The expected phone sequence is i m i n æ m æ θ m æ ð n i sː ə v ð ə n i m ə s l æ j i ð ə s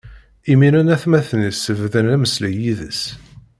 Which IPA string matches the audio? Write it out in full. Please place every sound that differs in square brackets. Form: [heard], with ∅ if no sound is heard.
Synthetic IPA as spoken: i m i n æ [n] æ θ m æ [θ] n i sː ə v ð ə n [æ] m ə s l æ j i ð ə s